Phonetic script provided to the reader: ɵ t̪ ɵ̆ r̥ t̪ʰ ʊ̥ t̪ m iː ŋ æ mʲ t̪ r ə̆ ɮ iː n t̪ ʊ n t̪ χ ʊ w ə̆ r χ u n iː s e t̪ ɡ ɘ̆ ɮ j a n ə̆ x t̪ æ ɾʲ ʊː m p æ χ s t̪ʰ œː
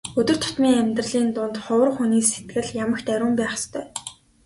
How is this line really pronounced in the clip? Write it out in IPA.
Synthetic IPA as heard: ɵ t̪ ɵ̆ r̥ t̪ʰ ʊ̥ t̪ m iː ŋ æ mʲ t̪ r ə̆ ɮ iː n t̪ ʊ n t̪ χ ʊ w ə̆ r χ u n iː s e t̪ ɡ ɘ̆ ɮ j a m ə̆ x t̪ æ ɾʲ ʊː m p æː χ s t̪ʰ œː